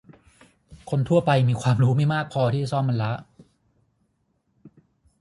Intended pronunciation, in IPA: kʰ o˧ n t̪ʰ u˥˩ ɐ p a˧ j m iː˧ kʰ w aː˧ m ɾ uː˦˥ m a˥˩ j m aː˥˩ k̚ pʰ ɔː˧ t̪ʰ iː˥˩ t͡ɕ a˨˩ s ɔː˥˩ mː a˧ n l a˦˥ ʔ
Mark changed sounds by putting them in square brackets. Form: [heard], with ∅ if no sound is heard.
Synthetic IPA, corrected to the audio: kʰ o˧ n t̪ʰ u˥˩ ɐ p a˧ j m iː˧ kʰ w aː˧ m ɾ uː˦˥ m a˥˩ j m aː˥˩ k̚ pʰ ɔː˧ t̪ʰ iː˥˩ t͡ɕ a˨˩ s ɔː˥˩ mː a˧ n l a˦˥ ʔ